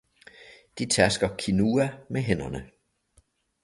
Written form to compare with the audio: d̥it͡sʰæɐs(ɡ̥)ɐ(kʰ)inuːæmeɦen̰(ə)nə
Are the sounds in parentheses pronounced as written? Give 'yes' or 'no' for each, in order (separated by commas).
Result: yes, yes, no